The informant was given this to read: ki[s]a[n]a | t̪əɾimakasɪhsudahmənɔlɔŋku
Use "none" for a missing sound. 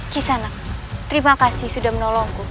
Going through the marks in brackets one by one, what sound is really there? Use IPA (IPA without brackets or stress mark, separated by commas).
s, n